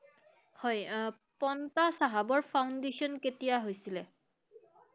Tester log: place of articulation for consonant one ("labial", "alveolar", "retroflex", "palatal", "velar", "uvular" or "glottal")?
glottal